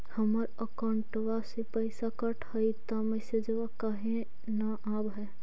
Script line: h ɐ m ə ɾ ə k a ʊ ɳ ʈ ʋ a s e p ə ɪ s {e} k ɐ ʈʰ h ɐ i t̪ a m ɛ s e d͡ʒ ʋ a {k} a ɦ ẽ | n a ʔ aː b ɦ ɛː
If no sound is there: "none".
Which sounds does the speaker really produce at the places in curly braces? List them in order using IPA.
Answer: a, k

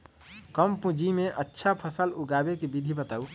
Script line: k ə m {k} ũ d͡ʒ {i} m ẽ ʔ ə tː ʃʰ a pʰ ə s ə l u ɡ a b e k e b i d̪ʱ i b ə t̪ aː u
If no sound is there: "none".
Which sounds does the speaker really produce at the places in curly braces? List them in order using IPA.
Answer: p, i

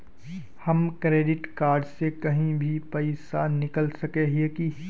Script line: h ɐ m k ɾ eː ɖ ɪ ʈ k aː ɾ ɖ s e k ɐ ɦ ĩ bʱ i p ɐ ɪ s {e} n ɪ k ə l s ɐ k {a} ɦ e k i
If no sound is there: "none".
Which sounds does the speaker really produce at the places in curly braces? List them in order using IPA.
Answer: a, e

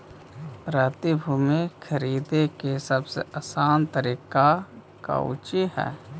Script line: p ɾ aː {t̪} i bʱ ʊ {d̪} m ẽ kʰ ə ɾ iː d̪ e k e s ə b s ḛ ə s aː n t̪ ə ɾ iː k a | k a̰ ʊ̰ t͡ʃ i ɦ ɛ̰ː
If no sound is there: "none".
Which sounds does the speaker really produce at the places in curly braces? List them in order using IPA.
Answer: t̪, none

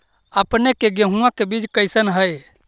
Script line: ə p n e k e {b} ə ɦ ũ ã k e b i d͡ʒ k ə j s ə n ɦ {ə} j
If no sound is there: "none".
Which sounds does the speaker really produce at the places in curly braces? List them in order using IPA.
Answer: ɡ, ə

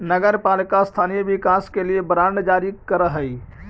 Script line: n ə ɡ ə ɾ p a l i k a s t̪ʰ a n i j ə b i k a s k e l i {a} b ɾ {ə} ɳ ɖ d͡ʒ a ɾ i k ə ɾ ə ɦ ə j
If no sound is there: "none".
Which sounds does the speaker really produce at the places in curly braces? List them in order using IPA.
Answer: e, a

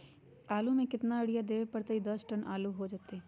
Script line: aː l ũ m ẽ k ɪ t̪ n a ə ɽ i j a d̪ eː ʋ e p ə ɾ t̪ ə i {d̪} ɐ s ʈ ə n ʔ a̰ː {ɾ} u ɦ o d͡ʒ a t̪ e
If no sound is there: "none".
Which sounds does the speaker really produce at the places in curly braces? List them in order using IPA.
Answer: d̪, l

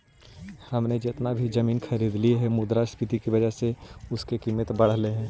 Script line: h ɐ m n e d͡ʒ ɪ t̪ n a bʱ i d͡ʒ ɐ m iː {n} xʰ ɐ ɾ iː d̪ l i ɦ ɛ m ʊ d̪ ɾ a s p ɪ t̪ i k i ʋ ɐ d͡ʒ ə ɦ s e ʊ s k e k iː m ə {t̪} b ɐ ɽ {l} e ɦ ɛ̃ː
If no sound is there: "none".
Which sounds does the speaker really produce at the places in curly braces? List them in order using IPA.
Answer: n, t̪, l

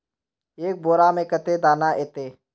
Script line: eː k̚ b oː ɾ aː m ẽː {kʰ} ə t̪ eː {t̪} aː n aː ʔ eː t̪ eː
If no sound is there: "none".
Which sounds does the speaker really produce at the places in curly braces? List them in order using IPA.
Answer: k, d̪

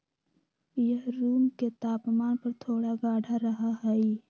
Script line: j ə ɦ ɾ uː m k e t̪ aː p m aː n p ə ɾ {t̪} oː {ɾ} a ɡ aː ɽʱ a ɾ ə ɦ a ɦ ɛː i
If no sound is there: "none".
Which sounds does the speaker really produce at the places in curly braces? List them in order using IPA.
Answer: t̪ʰ, ɽ

